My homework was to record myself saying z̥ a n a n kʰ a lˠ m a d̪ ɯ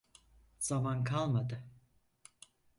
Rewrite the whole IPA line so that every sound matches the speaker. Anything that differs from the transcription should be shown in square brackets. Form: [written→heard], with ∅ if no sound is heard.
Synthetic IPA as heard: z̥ a [n→m] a n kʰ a lˠ m a d̪ ɯ